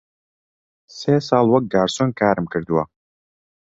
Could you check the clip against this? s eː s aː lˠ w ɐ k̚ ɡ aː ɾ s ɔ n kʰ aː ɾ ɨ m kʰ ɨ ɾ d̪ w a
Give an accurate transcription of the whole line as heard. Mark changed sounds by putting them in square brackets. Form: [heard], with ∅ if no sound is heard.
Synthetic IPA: s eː s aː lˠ w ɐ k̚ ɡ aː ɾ s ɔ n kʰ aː ɾ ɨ m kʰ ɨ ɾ d̪ w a